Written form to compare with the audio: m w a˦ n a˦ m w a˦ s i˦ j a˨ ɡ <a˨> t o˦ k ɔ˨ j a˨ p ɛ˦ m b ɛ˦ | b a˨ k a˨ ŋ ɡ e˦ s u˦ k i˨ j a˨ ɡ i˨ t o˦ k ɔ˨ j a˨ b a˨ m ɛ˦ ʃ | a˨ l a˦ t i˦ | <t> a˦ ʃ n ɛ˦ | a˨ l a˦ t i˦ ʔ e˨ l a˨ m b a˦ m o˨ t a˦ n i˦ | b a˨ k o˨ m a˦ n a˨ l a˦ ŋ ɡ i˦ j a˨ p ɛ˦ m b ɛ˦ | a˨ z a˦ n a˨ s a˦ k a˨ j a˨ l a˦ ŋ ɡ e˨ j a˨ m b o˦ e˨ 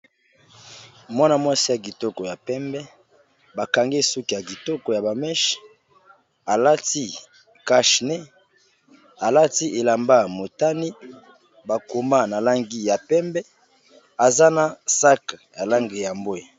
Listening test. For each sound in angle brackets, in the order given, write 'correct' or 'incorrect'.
incorrect: i˨, incorrect: k

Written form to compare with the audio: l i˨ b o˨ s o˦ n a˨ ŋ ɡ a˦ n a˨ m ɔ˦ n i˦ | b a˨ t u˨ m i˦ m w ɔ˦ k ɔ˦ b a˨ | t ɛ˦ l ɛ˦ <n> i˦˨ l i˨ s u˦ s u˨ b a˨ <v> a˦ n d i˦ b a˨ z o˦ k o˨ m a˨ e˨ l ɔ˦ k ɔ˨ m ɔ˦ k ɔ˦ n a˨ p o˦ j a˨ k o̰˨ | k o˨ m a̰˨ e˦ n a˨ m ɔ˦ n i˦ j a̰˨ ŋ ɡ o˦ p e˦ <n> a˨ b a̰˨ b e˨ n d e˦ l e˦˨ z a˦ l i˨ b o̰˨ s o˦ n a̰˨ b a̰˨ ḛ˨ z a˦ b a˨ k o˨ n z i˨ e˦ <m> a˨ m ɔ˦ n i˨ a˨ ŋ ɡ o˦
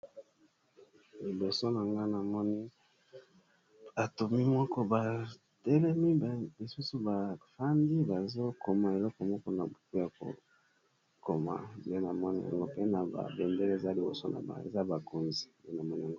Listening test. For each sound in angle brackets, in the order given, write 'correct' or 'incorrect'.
incorrect: m, incorrect: f, correct, incorrect: n

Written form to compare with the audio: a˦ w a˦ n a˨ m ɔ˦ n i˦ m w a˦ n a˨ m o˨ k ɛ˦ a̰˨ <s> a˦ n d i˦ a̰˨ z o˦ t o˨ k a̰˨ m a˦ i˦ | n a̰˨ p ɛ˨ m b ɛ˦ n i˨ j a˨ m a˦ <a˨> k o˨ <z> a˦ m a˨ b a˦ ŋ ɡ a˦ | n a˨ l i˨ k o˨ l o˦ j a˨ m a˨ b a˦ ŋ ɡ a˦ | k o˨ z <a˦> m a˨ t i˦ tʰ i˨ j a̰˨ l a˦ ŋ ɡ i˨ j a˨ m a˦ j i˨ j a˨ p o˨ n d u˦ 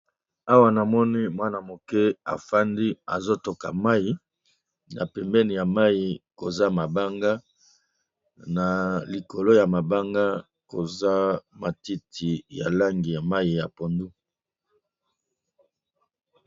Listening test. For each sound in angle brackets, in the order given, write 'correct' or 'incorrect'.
incorrect: f, incorrect: i˨, correct, correct

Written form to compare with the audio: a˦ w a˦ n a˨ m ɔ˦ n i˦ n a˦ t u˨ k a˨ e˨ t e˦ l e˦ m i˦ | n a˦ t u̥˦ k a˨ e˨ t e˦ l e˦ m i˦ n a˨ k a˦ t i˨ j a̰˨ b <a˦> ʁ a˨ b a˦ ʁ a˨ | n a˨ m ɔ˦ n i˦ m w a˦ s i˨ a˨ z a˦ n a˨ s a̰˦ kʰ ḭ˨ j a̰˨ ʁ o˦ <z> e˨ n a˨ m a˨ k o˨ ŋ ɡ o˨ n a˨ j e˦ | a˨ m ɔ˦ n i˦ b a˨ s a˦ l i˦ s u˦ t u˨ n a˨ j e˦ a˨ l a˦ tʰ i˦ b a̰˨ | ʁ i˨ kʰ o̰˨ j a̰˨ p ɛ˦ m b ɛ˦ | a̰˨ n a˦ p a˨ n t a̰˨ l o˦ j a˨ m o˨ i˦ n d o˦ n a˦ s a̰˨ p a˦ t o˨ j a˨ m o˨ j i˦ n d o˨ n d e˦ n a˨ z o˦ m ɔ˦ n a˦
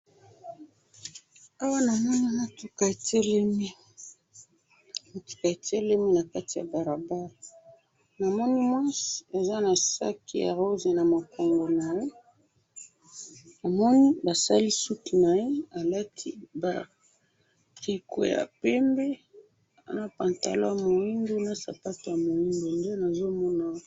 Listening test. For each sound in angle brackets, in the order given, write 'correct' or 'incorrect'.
incorrect: a˨, correct

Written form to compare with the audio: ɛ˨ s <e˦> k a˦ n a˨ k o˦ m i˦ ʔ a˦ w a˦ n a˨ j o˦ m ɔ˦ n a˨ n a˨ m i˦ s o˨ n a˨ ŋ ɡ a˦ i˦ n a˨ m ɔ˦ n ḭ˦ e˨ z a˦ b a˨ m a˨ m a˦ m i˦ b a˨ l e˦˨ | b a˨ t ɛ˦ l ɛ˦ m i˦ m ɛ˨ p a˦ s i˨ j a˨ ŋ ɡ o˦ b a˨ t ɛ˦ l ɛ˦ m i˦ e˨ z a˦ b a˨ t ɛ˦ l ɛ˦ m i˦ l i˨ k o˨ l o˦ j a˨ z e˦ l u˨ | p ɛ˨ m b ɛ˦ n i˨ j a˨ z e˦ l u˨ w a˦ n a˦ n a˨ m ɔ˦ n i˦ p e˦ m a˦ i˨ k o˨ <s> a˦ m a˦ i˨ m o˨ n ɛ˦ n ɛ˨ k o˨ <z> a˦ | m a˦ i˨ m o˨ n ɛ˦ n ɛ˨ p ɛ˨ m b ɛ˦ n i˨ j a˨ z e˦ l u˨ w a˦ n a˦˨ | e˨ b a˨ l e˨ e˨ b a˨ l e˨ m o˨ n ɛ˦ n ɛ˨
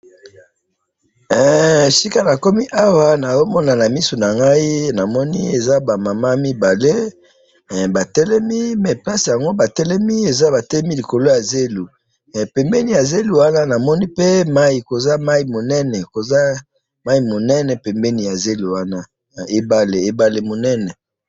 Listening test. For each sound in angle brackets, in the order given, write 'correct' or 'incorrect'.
incorrect: i˦, incorrect: z, correct

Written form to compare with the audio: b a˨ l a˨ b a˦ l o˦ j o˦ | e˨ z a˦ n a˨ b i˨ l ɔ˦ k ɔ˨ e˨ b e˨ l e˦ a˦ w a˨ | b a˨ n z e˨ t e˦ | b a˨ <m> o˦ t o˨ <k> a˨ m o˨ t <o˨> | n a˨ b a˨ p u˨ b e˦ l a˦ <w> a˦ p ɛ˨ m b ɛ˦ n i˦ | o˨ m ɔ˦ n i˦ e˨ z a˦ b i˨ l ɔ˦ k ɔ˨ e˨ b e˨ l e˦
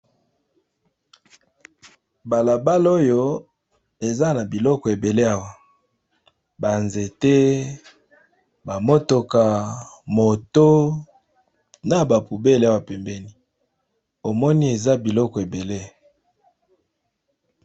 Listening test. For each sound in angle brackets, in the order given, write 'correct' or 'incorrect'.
correct, correct, incorrect: o˦, correct

